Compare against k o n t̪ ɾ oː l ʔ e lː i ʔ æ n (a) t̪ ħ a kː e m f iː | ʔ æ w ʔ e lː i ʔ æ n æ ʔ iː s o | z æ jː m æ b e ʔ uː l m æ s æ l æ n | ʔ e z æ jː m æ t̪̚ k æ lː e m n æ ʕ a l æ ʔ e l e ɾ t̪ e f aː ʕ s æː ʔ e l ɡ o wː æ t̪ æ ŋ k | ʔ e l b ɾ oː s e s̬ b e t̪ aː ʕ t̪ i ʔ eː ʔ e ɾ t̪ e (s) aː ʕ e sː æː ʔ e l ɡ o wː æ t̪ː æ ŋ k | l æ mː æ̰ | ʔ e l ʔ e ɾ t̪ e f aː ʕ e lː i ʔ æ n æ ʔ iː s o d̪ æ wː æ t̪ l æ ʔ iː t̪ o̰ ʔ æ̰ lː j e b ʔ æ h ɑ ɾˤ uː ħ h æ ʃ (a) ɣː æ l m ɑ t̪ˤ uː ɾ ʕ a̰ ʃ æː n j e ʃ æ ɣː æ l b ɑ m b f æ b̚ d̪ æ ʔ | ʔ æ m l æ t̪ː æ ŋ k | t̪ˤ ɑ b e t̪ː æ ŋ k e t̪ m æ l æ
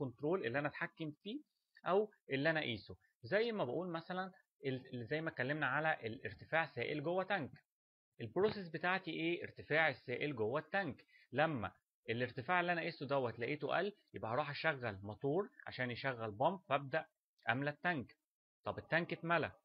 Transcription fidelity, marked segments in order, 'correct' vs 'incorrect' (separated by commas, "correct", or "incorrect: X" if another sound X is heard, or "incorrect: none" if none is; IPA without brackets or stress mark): incorrect: æ, incorrect: f, incorrect: æ